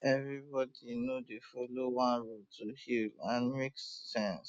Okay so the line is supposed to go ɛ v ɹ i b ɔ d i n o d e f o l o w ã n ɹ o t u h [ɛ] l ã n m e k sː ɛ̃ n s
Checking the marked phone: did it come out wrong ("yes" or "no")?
yes